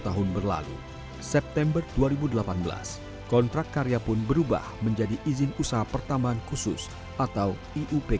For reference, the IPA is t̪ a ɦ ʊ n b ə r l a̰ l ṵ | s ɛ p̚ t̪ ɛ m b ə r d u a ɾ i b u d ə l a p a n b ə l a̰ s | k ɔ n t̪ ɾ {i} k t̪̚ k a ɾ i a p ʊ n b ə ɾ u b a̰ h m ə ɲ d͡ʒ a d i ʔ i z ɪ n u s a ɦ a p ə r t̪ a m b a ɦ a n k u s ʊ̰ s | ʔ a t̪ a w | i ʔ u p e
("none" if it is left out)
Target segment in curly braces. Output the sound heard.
a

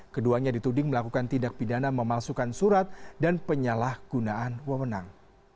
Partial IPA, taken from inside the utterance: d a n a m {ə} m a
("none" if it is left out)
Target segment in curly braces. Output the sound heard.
ə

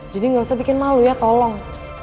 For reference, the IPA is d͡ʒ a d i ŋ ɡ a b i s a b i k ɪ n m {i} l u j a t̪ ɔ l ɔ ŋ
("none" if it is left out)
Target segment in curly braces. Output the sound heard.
a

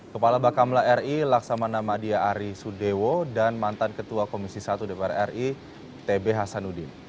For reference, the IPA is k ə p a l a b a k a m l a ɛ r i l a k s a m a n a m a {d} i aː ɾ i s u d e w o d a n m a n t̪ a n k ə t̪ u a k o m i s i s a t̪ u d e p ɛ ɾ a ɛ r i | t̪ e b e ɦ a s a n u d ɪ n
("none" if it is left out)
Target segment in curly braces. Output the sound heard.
d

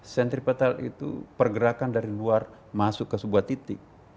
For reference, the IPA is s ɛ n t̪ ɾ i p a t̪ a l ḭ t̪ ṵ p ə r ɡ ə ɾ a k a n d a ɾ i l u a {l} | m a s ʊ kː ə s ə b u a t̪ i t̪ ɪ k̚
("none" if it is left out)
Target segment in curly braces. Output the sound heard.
r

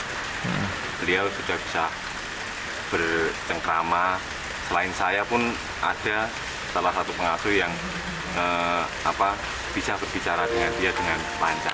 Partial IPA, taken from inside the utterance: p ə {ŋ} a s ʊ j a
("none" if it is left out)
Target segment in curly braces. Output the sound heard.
ŋ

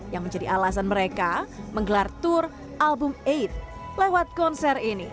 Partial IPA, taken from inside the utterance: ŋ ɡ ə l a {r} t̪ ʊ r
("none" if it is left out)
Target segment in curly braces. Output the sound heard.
r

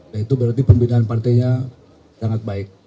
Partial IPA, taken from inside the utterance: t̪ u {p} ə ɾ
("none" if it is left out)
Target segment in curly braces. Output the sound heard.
b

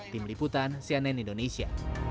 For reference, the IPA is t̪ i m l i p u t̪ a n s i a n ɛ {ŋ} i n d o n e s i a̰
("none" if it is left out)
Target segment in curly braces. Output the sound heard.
n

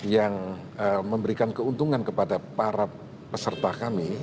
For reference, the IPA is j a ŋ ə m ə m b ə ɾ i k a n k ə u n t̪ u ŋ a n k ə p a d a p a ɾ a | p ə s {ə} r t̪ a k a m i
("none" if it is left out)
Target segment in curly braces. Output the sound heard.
ə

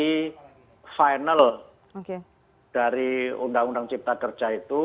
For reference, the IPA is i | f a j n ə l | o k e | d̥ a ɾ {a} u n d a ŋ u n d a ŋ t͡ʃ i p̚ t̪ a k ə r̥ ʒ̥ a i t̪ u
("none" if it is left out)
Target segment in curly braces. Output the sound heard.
i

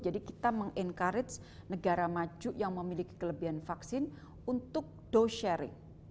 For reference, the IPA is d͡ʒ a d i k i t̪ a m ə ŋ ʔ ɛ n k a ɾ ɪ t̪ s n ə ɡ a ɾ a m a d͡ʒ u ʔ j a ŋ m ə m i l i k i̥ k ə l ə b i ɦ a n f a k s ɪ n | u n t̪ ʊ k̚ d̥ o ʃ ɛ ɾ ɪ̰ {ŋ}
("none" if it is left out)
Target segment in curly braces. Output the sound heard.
ŋ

